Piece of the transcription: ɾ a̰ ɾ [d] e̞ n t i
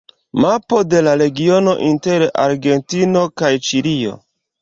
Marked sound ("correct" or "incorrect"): incorrect